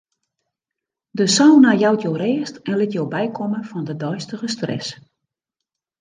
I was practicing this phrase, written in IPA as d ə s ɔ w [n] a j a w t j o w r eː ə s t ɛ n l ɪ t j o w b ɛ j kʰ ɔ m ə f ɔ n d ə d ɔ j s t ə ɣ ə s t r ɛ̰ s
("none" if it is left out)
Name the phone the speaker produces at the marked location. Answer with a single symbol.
n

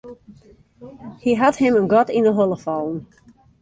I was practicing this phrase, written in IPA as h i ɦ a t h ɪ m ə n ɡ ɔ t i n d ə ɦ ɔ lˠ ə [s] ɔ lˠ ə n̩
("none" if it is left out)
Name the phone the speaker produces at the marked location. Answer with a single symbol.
f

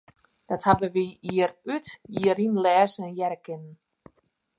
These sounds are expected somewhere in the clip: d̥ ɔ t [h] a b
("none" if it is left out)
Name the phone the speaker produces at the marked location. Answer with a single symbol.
h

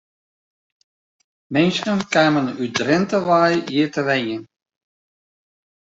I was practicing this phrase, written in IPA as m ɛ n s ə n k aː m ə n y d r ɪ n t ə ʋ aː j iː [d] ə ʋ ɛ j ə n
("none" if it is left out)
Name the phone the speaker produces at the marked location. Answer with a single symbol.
t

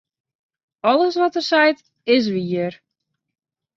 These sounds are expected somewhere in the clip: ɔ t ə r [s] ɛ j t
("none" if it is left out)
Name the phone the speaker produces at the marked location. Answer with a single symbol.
s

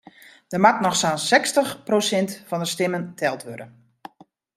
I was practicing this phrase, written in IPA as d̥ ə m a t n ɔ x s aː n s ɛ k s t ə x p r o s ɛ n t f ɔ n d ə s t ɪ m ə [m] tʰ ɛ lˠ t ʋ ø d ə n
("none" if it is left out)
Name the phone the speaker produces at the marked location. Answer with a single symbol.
n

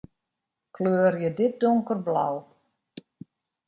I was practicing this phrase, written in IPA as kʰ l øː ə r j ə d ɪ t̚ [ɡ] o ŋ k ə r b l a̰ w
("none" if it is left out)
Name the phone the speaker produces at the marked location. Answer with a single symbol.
d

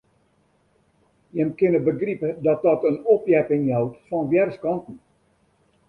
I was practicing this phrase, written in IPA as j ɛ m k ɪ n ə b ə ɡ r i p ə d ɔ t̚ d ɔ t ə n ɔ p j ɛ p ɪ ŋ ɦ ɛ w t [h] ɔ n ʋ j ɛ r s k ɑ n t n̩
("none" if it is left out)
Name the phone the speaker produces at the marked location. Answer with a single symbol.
f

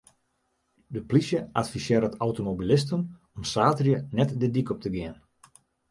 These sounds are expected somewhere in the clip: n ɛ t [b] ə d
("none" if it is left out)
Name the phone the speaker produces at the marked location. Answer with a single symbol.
d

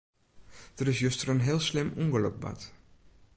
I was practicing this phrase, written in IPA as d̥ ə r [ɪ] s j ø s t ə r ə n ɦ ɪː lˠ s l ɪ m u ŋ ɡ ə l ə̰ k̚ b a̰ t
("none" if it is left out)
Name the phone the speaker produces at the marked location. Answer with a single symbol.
ɪ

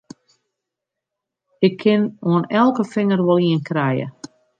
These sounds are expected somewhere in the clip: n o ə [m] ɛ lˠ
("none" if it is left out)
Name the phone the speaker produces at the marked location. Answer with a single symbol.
n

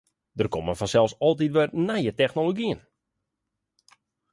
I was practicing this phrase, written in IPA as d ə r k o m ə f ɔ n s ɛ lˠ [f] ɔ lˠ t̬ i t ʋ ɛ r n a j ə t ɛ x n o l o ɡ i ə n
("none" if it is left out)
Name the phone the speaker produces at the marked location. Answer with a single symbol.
s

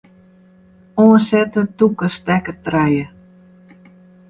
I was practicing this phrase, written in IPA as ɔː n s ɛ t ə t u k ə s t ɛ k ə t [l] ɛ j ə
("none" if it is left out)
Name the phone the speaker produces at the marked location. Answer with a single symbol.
r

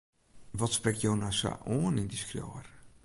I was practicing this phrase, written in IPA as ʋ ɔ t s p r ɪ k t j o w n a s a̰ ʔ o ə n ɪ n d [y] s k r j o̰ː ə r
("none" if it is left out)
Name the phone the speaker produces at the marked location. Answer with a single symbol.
i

